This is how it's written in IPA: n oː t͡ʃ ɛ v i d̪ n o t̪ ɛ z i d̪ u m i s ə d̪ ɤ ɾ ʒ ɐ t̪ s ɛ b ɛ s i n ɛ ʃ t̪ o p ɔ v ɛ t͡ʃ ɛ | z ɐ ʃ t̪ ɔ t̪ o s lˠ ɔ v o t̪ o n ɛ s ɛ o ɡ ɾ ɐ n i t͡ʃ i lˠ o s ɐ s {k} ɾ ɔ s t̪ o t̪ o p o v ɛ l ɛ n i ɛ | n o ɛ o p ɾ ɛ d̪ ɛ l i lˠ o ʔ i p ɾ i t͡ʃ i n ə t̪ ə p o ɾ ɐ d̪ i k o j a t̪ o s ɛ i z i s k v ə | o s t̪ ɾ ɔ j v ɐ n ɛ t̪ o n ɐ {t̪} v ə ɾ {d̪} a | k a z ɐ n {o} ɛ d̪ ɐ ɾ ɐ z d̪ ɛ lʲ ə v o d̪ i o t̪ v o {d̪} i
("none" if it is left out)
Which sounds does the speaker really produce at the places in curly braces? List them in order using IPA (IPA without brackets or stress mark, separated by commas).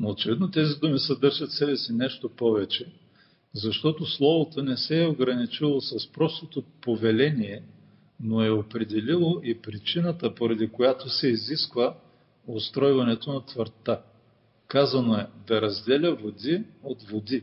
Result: p, t̪, t̪, o, d̪